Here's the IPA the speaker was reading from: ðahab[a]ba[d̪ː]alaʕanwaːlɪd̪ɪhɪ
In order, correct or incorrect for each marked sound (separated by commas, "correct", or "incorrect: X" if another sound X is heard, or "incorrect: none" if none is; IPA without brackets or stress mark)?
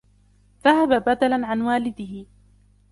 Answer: correct, incorrect: d̪